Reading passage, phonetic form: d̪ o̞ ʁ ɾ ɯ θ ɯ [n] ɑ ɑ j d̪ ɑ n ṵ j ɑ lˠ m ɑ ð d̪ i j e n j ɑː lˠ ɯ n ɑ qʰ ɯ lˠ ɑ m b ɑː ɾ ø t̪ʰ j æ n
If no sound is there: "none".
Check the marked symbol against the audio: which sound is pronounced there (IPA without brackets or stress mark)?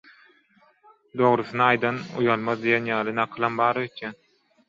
n